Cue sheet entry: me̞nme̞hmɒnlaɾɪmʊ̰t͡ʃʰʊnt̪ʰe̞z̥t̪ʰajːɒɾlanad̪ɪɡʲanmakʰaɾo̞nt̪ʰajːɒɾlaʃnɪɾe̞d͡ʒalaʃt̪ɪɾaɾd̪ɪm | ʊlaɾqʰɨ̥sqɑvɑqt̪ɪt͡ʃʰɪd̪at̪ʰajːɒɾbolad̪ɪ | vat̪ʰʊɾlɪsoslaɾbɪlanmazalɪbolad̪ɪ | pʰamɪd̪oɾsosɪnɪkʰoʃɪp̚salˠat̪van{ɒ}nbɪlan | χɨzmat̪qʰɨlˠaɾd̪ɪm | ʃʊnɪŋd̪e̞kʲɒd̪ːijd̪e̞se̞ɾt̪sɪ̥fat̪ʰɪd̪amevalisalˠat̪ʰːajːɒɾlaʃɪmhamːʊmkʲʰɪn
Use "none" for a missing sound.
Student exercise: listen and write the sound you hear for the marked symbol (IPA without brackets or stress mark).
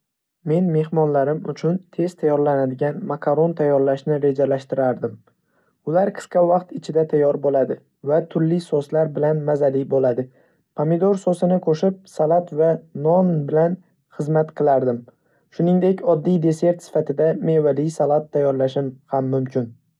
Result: ɒ